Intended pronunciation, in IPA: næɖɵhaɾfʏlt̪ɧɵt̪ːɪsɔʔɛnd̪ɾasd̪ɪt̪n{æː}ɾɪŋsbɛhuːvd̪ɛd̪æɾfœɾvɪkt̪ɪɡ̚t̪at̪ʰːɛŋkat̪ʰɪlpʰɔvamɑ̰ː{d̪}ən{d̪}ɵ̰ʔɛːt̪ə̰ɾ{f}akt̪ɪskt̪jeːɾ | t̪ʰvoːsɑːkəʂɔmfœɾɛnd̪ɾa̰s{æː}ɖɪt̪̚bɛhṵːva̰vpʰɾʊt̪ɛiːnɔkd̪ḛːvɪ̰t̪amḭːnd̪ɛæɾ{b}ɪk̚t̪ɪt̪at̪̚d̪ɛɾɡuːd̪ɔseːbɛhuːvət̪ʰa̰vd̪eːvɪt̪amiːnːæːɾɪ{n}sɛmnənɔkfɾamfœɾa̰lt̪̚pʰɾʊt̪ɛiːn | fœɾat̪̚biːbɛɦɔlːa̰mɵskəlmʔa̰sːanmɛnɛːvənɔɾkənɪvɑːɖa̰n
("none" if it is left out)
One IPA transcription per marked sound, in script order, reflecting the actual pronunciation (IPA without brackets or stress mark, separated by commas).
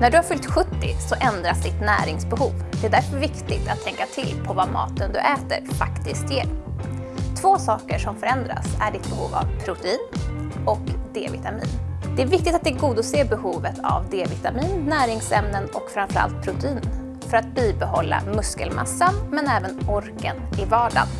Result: æː, t̪, d̪, f, æ, v, ŋ